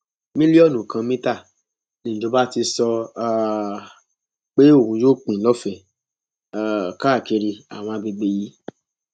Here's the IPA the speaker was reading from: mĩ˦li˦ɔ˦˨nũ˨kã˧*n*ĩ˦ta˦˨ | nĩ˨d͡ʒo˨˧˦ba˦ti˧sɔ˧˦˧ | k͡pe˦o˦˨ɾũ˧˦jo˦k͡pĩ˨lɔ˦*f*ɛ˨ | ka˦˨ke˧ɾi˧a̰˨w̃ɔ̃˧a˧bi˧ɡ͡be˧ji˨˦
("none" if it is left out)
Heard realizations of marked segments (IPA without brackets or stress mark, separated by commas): m, f